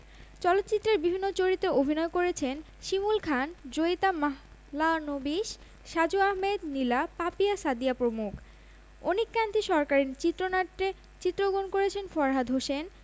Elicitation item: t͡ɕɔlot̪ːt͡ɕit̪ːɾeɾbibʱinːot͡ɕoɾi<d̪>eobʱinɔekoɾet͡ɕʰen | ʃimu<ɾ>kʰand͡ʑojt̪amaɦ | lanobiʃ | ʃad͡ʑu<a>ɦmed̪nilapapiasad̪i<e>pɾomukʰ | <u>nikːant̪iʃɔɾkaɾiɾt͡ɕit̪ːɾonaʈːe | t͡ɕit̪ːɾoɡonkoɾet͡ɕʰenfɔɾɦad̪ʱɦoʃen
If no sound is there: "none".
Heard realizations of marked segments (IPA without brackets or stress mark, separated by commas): t̪, l, a, a, o